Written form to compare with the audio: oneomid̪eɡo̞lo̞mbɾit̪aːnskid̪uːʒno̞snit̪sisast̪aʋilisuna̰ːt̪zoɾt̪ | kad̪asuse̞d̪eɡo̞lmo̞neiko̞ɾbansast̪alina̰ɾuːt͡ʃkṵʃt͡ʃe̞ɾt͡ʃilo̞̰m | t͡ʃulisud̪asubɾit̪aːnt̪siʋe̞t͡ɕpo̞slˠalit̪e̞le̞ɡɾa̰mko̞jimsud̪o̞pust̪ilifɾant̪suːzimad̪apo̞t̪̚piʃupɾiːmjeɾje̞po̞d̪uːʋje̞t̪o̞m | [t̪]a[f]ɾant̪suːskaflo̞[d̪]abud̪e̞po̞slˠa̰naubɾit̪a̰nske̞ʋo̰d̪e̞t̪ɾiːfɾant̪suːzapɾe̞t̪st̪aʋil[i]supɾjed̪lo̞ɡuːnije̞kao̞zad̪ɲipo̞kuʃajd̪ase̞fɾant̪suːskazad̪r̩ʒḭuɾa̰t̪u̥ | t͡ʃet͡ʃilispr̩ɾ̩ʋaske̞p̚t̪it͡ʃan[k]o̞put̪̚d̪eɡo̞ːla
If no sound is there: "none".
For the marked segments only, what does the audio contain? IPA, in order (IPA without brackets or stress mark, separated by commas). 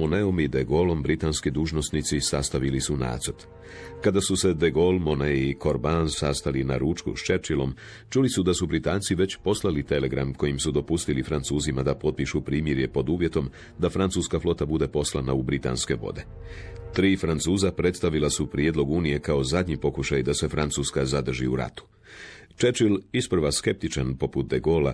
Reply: d̪, f, t̪, a, p